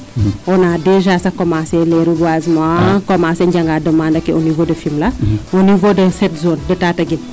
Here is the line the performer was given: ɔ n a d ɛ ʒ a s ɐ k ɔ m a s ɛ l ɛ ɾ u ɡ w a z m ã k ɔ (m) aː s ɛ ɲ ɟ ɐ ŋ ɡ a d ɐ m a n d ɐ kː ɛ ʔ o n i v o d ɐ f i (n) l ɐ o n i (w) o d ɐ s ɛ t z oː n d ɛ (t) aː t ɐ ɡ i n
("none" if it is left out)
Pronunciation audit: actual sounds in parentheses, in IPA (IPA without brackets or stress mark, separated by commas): m, m, v, t